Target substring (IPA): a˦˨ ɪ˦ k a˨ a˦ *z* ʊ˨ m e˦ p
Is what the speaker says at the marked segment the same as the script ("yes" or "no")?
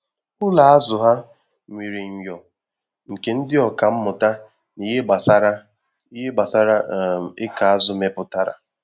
yes